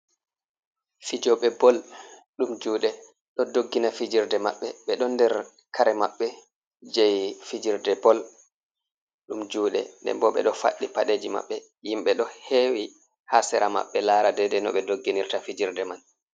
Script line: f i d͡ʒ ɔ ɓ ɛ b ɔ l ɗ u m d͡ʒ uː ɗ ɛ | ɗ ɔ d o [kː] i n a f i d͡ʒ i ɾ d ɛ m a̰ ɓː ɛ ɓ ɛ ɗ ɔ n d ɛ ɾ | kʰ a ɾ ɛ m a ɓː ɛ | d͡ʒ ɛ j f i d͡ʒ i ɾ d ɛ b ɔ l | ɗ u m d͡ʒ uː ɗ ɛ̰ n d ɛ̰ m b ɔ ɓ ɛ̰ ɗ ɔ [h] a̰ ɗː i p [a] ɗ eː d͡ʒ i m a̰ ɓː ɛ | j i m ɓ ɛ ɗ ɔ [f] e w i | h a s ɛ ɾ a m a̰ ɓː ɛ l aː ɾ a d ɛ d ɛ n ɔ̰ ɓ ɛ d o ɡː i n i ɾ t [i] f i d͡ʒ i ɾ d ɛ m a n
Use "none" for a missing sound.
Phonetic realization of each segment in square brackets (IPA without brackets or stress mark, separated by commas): ɡː, f, a, h, a